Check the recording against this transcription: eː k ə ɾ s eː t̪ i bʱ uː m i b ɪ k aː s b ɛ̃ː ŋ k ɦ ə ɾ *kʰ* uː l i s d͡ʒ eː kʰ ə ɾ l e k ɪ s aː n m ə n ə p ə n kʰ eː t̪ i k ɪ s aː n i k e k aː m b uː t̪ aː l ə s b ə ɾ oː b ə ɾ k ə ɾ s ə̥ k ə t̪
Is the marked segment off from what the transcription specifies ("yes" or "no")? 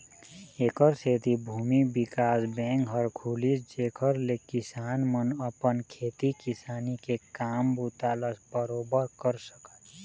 no